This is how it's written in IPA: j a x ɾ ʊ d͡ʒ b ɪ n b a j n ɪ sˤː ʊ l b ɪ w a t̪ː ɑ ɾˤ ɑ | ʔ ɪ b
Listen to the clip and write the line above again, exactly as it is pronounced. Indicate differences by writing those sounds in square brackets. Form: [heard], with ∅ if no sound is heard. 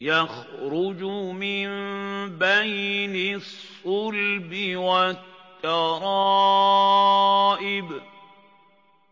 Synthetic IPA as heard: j a x ɾ ʊ d͡ʒ [m] ɪ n b a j n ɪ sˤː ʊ l b ɪ w a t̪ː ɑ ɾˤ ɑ | ʔ ɪ b